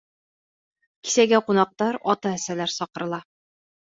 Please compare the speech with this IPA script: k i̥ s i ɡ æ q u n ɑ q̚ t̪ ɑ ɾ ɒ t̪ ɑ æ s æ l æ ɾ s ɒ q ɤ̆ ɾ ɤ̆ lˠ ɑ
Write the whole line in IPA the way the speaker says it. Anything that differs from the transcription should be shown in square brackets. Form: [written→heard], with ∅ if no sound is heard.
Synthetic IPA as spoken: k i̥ s [i→æ] ɡ æ q u n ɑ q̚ t̪ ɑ ɾ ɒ t̪ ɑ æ s æ l æ ɾ s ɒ q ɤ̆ ɾ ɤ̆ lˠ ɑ